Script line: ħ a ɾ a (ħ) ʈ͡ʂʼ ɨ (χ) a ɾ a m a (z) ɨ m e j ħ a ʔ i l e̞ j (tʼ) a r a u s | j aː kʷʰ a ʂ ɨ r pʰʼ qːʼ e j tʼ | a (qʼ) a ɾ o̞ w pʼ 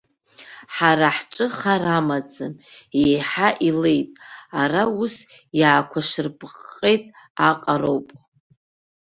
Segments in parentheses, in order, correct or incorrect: correct, correct, incorrect, correct, correct

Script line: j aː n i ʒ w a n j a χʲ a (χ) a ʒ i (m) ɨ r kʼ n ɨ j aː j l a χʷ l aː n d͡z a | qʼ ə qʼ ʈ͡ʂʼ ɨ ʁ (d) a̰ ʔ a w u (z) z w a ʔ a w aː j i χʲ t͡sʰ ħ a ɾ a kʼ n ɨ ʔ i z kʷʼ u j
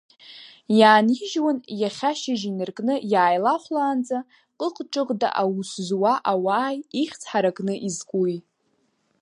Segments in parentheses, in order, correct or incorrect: incorrect, incorrect, correct, incorrect

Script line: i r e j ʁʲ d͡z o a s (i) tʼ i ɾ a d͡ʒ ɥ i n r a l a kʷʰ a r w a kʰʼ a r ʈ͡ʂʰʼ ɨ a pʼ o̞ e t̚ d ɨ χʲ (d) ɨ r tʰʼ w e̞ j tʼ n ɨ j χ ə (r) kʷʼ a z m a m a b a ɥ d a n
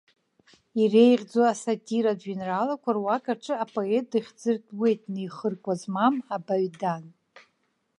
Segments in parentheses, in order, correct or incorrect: incorrect, incorrect, correct

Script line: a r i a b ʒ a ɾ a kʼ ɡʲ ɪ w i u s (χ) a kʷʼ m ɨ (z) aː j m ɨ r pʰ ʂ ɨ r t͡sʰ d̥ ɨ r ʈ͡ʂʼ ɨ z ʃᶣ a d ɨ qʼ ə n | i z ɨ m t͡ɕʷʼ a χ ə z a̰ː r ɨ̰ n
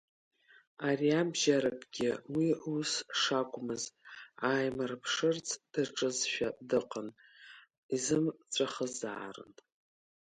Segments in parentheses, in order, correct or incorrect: incorrect, correct

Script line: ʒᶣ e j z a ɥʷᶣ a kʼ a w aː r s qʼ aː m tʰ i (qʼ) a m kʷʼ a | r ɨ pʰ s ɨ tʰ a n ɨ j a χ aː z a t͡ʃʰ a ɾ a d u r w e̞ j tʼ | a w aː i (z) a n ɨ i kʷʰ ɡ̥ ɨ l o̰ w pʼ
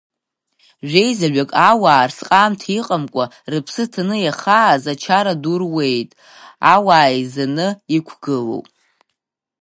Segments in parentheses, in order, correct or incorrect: correct, correct

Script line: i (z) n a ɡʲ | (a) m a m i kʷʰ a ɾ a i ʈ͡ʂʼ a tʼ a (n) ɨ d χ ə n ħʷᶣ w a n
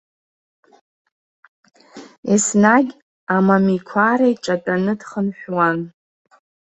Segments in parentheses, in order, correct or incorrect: incorrect, correct, correct

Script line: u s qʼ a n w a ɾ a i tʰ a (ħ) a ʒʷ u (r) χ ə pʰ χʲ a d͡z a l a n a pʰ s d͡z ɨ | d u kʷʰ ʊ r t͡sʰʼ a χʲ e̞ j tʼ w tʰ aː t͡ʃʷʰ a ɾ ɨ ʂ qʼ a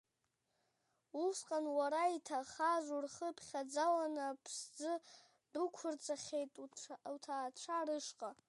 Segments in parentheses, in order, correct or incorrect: incorrect, correct

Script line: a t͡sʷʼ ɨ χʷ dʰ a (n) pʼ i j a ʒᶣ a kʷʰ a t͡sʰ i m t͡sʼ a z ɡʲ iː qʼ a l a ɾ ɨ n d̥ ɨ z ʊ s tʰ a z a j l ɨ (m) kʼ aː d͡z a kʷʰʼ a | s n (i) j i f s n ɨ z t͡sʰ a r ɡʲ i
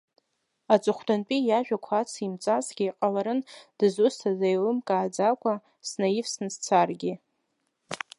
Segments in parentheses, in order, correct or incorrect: correct, correct, incorrect

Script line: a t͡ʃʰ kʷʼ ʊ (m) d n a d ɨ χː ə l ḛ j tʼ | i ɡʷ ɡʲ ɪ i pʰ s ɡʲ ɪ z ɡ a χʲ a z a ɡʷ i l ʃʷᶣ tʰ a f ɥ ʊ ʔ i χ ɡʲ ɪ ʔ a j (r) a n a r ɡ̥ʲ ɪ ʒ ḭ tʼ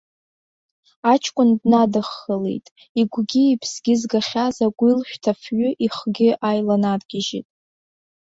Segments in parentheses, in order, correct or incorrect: incorrect, incorrect

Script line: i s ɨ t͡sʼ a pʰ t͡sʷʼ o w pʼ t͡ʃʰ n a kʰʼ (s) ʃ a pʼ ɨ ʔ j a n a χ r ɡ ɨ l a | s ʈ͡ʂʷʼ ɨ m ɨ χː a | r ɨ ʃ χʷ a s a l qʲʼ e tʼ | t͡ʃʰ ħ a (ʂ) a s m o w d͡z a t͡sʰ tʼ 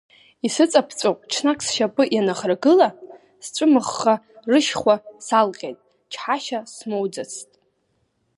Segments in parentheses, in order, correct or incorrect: correct, incorrect

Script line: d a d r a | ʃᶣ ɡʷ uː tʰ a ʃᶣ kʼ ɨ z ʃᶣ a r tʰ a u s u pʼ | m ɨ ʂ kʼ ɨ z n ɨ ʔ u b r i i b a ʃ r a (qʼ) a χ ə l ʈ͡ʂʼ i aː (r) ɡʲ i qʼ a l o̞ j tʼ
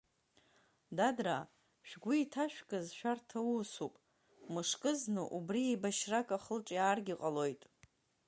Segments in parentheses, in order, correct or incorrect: incorrect, correct

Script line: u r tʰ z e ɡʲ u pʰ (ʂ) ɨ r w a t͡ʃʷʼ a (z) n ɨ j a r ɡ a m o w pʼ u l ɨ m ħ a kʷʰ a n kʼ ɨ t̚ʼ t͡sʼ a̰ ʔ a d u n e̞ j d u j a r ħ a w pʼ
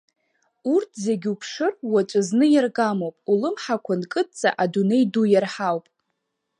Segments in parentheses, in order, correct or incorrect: correct, correct

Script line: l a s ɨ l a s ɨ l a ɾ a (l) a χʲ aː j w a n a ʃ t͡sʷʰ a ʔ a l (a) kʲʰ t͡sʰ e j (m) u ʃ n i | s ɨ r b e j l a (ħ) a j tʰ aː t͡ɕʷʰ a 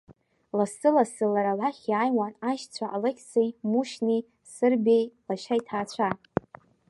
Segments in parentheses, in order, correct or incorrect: correct, incorrect, correct, incorrect

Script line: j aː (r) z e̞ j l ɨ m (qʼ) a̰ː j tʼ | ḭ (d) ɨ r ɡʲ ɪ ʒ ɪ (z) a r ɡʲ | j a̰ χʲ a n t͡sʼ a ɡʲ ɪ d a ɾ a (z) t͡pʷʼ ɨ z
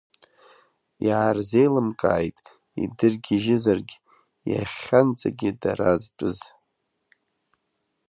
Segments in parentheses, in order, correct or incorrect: correct, incorrect, correct, correct, correct

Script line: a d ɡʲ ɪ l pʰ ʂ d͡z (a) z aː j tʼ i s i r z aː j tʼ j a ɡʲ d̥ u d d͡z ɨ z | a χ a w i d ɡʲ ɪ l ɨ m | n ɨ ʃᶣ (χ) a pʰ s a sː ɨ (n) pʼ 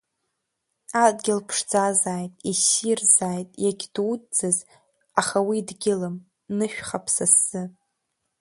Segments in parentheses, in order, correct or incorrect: correct, correct, incorrect

